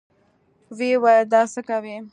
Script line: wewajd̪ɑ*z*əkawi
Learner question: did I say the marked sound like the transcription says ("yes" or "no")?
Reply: no